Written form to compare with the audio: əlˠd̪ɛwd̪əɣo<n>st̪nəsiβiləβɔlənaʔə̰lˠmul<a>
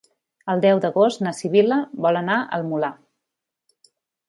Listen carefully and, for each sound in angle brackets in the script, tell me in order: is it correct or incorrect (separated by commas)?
incorrect, correct